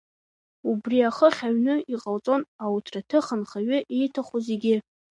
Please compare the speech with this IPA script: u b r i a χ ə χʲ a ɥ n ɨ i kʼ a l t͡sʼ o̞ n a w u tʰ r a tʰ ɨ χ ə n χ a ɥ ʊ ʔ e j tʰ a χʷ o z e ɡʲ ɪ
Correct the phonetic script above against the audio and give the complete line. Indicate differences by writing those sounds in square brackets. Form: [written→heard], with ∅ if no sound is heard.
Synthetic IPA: u b r i a χ ə χʲ a ɥ n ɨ i [kʼ→qʼ] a l t͡sʼ o̞ n a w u tʰ r a tʰ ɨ χ ə n χ a ɥ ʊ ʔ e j tʰ a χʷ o z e ɡʲ ɪ